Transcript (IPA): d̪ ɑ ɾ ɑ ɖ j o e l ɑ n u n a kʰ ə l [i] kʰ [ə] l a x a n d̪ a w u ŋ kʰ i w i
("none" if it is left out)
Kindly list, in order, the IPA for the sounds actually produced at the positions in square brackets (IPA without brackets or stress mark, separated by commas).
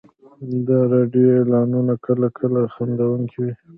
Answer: a, ə